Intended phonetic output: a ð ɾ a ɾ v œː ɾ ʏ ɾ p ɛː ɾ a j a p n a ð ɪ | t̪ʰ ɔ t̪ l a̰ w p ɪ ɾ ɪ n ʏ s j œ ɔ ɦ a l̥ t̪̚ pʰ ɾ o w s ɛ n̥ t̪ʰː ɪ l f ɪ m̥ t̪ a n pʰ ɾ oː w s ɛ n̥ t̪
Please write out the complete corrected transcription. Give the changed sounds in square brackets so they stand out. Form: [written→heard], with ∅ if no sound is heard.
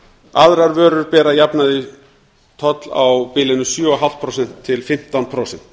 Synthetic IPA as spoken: a ð ɾ a ɾ v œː ɾ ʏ ɾ p ɛː ɾ a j a p n a ð ɪ | t̪ʰ ɔ t̪ l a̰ w p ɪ [ɾ→l] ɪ n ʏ s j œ ɔ ɦ a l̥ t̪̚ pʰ ɾ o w s ɛ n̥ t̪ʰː ɪ l f ɪ m̥ t̪ a n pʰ ɾ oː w s ɛ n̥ t̪